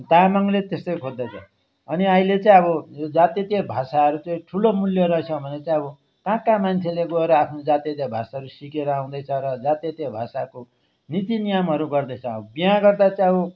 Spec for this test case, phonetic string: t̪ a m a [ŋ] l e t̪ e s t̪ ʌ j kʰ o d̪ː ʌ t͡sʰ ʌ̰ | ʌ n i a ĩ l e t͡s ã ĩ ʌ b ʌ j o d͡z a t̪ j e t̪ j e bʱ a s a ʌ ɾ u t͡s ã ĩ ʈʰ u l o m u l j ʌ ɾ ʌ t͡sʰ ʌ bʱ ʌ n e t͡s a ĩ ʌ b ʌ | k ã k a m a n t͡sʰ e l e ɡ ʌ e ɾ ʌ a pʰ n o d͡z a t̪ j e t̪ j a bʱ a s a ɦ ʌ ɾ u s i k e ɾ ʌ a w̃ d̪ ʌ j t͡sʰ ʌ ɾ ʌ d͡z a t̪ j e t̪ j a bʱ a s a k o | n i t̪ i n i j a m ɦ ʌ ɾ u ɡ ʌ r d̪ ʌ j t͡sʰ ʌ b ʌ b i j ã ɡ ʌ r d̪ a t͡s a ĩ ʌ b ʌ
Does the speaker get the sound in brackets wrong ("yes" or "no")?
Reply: no